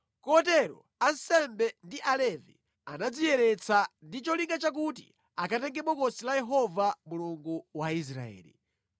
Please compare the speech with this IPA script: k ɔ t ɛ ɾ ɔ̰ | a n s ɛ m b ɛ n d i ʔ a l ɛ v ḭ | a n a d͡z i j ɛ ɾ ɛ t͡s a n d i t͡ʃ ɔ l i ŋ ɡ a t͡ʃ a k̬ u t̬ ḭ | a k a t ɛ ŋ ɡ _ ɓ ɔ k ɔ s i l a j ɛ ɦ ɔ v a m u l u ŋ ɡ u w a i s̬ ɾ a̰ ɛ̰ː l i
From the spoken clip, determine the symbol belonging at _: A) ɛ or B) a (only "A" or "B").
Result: A